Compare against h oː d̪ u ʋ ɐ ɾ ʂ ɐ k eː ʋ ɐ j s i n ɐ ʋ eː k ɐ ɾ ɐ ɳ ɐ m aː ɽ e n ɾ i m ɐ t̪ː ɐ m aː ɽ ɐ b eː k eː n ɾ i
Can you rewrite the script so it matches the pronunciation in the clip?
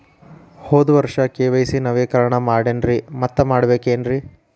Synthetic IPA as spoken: h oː d̪ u ʋ ɐ ɾ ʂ ɐ k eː ʋ ɐ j s i n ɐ ʋ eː k ɐ ɾ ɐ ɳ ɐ m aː ɽ e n ɾ i m ɐ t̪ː ɐ m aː ɽ ɐ b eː k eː n ɾ i

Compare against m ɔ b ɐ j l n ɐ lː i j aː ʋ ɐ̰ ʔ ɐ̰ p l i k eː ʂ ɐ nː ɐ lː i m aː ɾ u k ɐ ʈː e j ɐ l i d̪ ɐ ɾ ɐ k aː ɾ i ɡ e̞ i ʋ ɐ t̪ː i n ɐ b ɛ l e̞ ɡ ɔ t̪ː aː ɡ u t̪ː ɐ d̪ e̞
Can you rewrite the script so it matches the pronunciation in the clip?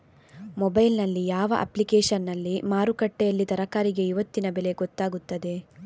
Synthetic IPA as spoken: m ɔ b ɐ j l n ɐ lː i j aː ʋ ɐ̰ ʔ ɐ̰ p l i k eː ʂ ɐ nː ɐ lː i m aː ɾ u k ɐ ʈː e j ɐ lː i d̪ ɐ ɾ ɐ k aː ɾ i ɡ e̞ i ʋ ɐ t̪ː i n ɐ b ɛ l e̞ ɡ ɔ t̪ː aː ɡ u t̪ː ɐ d̪ e̞

